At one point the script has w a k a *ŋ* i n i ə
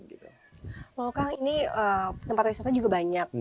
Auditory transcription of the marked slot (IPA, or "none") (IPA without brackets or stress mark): ŋ